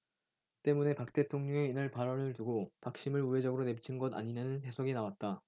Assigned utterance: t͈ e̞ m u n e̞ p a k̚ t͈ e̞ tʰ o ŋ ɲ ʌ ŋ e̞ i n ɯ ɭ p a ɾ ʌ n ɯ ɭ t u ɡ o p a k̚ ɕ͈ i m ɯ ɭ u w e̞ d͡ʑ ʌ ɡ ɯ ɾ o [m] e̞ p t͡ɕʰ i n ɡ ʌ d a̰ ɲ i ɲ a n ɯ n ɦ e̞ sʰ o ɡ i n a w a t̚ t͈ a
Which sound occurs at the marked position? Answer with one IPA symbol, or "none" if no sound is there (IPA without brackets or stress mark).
n